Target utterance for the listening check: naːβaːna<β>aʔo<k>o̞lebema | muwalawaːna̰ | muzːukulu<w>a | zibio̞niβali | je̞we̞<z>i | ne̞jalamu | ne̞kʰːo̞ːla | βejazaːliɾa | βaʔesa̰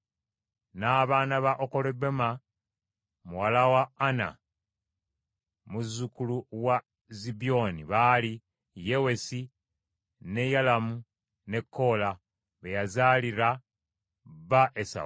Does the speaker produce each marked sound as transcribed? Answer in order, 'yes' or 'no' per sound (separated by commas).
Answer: yes, yes, yes, no